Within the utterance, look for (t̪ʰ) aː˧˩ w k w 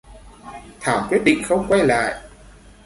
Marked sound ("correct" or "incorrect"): correct